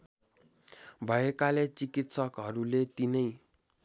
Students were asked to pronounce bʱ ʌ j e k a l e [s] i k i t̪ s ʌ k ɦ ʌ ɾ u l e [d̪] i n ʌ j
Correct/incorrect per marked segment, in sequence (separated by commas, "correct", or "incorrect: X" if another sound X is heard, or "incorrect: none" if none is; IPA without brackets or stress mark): incorrect: t͡s, incorrect: t̪